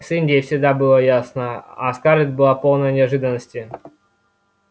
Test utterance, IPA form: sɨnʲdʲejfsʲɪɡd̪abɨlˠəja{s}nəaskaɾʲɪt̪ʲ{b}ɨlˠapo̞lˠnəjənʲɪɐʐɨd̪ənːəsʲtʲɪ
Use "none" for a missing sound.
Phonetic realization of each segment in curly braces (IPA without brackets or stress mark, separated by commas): s, b